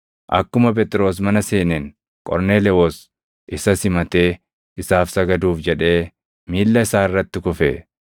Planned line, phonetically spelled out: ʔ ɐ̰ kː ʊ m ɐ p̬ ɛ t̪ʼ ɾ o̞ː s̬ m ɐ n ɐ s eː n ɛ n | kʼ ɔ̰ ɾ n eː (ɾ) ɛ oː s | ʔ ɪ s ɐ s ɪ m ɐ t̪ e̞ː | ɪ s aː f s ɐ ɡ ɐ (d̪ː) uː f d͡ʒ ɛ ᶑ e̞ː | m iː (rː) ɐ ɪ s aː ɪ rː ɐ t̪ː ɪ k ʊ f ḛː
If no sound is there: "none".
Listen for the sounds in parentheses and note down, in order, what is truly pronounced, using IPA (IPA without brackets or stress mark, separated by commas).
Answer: l, d̪, lː